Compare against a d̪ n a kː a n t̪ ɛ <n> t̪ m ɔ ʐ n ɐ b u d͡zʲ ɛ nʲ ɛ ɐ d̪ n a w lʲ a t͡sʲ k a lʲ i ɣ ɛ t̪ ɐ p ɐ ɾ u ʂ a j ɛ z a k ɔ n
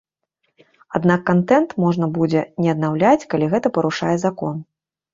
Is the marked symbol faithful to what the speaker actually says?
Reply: yes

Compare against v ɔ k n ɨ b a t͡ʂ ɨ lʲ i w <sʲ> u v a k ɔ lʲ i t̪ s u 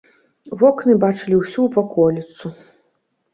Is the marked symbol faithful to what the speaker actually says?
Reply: yes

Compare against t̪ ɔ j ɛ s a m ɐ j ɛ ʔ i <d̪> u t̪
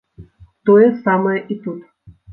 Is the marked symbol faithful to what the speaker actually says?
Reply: no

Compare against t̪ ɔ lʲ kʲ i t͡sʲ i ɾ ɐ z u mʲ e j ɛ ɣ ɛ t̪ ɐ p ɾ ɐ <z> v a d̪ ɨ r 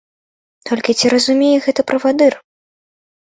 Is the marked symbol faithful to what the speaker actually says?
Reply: no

